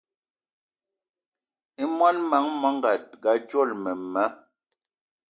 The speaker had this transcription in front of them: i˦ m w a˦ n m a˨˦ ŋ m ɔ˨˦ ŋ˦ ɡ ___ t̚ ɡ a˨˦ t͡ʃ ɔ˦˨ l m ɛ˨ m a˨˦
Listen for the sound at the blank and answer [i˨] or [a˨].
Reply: a˨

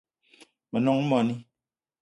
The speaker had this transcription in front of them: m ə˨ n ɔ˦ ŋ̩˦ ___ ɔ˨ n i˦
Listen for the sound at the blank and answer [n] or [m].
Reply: m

